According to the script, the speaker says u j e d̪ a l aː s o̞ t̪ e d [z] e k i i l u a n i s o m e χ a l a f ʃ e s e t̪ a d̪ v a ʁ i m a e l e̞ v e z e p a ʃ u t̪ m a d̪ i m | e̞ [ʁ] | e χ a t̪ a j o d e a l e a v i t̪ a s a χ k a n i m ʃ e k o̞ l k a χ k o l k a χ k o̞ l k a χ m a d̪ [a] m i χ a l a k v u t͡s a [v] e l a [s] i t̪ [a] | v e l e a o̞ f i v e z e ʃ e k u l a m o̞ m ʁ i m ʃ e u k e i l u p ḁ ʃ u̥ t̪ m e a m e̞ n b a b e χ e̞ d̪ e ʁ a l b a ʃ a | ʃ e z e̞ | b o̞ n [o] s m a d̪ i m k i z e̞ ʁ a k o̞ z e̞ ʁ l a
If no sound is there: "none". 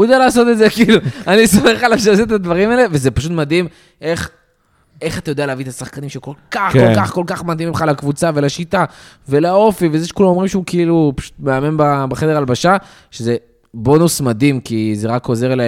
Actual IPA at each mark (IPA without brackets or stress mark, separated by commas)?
z, χ, i, v, ʃ, a, u